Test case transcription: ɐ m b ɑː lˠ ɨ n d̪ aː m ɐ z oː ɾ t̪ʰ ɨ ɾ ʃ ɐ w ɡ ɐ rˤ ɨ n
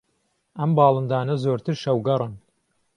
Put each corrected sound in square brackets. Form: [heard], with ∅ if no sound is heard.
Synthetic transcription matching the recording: ɐ m b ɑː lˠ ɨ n d̪ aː [n] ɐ z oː ɾ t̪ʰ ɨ ɾ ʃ ɐ w ɡ ɐ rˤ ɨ n